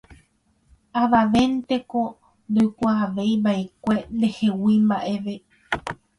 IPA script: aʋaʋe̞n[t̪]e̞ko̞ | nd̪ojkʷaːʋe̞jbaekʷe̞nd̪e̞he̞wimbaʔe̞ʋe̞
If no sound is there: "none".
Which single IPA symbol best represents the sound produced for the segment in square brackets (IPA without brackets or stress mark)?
t̪